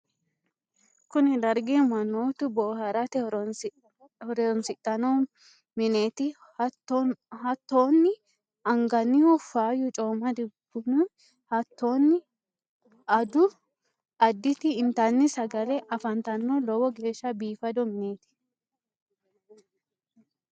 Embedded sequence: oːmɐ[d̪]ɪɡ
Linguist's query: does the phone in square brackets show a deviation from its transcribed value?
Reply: no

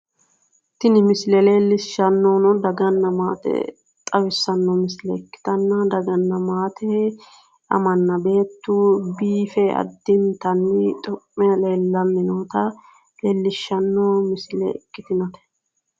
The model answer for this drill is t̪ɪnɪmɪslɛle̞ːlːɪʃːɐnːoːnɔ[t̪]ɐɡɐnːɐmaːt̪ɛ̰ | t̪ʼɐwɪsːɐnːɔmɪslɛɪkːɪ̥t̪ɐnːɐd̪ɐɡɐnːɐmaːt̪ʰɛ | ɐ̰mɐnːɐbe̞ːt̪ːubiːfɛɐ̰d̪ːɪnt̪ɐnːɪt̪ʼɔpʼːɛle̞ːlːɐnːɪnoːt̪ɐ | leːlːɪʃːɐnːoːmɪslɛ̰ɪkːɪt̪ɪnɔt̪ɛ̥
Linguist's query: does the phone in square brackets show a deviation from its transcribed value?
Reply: yes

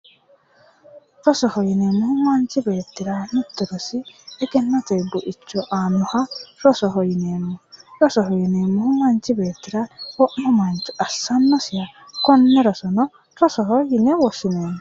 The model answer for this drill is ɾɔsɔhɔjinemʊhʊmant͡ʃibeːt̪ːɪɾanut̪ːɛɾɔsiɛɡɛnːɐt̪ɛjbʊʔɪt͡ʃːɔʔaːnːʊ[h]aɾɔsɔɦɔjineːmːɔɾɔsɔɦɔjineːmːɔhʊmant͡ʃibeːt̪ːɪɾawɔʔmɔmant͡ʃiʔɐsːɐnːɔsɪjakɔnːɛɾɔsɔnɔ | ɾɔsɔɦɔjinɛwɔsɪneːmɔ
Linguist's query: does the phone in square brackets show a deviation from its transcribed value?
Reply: no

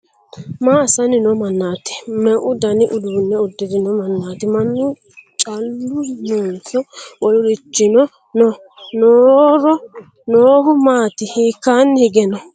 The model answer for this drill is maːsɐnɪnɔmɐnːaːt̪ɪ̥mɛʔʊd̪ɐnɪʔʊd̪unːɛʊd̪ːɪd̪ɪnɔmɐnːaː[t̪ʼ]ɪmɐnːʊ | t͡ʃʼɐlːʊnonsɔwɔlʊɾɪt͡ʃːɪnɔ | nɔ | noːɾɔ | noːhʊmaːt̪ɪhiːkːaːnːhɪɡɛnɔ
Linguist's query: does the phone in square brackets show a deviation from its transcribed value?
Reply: yes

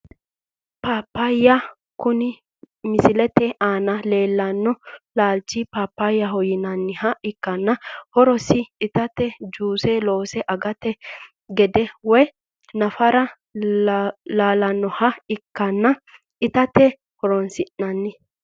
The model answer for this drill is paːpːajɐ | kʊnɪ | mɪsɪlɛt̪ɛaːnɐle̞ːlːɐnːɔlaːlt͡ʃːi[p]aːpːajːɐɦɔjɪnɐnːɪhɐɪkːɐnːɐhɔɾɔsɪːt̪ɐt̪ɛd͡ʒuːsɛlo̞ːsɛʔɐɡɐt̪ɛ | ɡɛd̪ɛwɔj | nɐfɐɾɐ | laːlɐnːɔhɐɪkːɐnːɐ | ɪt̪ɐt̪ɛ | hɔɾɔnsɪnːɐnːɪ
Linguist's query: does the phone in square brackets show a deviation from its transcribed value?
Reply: no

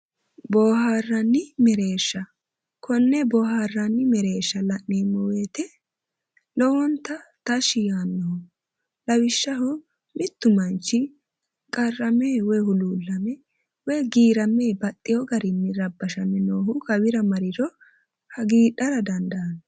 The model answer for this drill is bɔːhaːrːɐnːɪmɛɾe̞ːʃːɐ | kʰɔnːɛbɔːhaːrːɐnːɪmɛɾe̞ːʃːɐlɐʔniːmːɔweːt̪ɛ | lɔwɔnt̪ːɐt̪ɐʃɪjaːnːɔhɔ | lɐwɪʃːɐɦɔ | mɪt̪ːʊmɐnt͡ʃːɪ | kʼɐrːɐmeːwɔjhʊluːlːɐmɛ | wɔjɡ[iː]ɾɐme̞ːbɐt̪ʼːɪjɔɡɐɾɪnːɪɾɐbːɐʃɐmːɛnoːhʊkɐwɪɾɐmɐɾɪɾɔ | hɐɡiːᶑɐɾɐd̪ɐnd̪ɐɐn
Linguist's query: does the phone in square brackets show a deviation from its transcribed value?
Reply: no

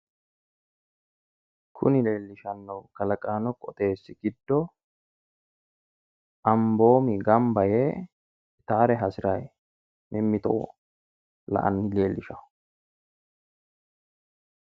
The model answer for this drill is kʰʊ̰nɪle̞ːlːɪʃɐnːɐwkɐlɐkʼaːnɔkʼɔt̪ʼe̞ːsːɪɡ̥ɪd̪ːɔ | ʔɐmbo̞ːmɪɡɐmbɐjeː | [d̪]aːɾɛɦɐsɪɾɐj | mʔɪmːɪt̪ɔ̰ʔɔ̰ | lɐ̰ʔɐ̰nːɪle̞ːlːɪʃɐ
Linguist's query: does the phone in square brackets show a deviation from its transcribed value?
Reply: yes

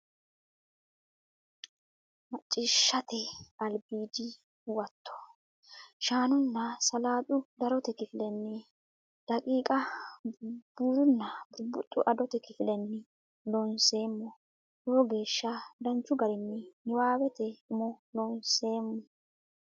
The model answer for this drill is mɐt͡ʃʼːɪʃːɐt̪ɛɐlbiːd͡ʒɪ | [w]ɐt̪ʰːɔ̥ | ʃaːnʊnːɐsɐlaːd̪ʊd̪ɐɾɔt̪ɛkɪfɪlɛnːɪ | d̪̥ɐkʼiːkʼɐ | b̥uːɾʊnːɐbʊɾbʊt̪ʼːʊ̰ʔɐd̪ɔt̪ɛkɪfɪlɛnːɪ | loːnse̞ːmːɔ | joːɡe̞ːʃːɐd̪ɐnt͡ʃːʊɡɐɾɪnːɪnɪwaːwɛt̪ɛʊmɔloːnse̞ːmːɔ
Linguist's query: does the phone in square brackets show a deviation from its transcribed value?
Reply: no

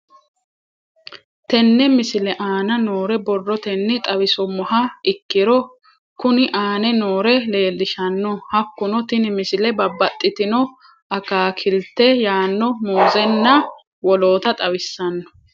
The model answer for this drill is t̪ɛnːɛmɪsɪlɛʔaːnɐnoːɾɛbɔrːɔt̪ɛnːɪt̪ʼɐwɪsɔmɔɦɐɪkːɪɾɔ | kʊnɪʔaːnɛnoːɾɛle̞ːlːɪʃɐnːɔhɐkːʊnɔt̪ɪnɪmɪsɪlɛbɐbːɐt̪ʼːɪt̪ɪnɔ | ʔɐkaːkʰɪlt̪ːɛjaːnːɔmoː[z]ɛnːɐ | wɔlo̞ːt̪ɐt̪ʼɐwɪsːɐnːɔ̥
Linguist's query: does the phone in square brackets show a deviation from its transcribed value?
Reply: no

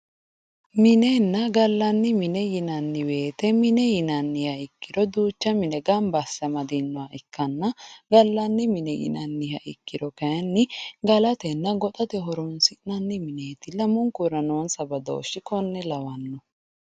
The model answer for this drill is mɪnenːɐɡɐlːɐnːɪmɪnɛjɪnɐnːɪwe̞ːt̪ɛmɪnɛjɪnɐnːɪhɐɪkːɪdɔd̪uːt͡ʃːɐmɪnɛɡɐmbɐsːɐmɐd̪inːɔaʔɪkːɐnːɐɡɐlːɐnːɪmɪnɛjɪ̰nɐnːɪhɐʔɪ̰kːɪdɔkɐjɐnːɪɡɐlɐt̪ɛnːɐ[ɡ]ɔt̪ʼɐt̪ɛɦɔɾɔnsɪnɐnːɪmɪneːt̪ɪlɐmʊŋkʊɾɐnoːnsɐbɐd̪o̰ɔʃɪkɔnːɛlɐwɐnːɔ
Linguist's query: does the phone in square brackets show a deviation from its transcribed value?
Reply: no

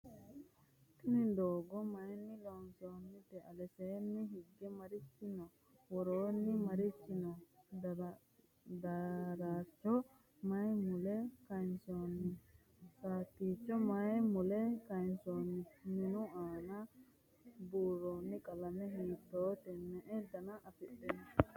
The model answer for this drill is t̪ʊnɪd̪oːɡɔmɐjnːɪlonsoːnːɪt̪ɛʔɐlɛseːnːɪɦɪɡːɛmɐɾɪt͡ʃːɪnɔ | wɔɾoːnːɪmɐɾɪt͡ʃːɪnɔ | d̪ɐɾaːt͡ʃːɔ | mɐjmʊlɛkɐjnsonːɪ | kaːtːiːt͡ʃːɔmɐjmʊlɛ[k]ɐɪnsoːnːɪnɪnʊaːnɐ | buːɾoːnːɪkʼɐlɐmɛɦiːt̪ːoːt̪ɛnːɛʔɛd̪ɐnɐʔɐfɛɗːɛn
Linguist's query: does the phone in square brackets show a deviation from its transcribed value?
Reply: no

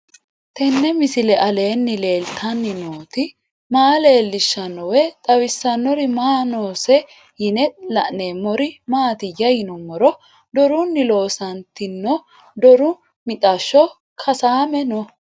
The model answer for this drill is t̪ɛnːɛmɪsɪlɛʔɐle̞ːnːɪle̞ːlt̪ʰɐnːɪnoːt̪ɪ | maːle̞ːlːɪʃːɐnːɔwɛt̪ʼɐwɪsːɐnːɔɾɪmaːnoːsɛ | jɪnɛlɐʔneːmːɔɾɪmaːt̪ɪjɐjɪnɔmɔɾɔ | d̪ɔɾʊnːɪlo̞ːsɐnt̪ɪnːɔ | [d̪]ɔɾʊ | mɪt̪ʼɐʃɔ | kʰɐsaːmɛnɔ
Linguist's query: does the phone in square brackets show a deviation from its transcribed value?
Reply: no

